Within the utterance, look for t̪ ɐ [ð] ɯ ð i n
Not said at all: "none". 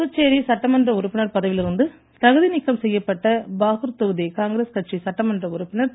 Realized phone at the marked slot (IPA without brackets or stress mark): ɣ